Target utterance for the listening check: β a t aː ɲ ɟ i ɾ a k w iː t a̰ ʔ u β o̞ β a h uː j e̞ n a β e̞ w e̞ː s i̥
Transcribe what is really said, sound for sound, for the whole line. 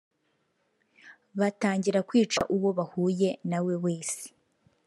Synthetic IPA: β a t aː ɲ ɟ i ɾ a k w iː t͡ʃ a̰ ʔ u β o̞ β a h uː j e̞ n a w e̞ w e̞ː s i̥